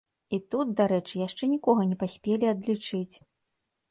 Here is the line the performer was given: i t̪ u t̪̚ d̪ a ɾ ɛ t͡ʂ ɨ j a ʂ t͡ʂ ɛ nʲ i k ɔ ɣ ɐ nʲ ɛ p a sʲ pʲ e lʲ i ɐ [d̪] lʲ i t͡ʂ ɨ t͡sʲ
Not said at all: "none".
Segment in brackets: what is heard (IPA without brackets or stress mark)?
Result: d̪